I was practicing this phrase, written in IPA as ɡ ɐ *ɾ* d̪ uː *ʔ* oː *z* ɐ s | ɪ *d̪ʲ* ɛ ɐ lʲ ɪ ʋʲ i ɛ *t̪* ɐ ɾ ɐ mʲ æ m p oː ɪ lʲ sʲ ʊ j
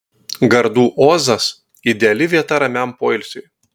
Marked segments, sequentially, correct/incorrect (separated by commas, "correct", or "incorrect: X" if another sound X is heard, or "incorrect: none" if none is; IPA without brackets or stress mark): correct, correct, correct, correct, correct